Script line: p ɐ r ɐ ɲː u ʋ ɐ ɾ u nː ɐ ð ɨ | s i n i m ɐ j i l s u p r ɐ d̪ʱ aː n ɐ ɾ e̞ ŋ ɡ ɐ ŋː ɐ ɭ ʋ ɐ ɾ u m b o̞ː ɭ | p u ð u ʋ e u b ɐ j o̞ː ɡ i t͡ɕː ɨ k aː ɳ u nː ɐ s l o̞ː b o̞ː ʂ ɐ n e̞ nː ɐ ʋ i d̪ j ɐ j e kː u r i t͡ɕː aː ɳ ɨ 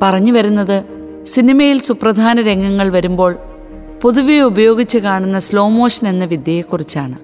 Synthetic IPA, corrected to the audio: p ɐ r ɐ ɲː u ʋ ɐ ɾ u nː ɐ ð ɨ | s i n i m ɐ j i l s u p r ɐ d̪ʱ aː n ɐ ɾ e̞ ŋ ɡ ɐ ŋː ɐ ɭ ʋ ɐ ɾ u m b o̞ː ɭ | p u ð u ʋ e u b ɐ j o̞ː ɡ i t͡ɕː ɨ k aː ɳ u nː ɐ s l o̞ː m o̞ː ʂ ɐ n e̞ nː ɐ ʋ i d̪ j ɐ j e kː u r i t͡ɕː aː ɳ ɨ